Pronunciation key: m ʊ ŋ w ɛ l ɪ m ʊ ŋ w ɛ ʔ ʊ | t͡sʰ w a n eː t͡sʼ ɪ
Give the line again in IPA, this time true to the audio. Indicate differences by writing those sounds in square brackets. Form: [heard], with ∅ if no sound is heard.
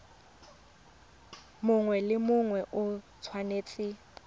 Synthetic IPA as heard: m ʊ ŋ w ɛ l ɪ m ʊ ŋ w ɛ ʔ ʊ | t͡sʰ w a n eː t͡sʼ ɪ